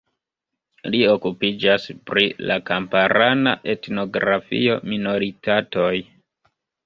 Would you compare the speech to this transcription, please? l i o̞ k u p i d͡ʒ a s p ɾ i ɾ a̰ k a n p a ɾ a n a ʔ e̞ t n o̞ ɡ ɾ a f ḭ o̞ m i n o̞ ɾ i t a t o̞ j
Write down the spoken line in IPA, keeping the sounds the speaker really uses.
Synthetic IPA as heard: l i o̞ k u p i d͡ʒ a s p ɾ i l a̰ k a m p a ɾ a n a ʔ e̞ t n o̞ ɡ ɾ a f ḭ o̞ m i n o̞ ɾ i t a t o̞ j

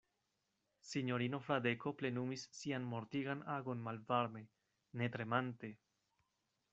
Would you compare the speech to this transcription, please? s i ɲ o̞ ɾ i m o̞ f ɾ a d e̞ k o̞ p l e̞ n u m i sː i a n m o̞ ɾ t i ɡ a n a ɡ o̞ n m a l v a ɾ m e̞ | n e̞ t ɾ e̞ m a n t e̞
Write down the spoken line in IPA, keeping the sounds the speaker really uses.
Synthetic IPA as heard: s i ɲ o̞ ɾ i n o̞ f ɾ a d e̞ k o̞ p l e̞ n u m i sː i a n m o̞ ɾ t i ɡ a n a ɡ o̞ n m a l v a ɾ m e̞ | n e̞ t ɾ e̞ m a n t e̞

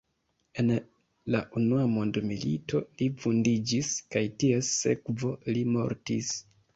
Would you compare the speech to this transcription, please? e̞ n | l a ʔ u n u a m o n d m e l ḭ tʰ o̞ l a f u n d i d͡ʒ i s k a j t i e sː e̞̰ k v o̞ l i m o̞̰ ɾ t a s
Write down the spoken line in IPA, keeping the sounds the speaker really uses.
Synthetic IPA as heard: e̞ n | l a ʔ u n u a m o n d m i l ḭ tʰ o̞ l i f u n d i d͡ʒ i s k a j t i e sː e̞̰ k v o̞ l i m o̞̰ ɾ t i s

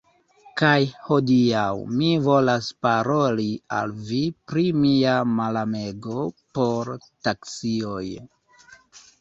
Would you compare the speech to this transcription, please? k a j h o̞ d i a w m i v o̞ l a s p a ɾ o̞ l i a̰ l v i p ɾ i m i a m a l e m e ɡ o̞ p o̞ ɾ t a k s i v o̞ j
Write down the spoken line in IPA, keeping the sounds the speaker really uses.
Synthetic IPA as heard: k a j h o̞ d i a w m i v o̞ l a s p a ɾ o̞ l i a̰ l v i p ɾ i m i a m a l a m e ɡ o̞ p o̞ ɾ t a k s i o̞ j

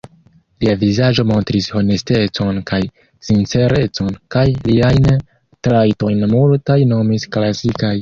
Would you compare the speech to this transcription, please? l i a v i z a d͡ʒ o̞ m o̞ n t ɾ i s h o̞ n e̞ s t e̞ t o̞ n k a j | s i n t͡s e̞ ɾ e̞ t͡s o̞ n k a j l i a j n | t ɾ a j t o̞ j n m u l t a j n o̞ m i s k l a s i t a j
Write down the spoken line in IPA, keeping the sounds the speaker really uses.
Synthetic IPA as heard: l i a v i z a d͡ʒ o̞ m o̞ n t ɾ i s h o̞ n e̞ s t e̞ t͡s o̞ n k a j | s i n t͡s e̞ ɾ e̞ t͡s o̞ n k a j l i a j n | t ɾ a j t o̞ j n m u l t a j n o̞ m i s k l a s i k a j

